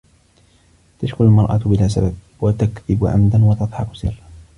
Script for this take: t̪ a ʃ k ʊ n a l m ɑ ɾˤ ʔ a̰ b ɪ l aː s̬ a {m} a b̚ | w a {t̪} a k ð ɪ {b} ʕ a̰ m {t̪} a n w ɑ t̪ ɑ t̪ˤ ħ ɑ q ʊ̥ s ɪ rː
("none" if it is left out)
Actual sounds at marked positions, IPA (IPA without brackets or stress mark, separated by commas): b, t̪, b, d̪